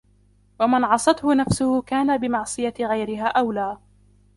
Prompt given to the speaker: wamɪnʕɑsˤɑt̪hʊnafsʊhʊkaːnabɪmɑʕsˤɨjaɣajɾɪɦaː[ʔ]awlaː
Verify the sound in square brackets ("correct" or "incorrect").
correct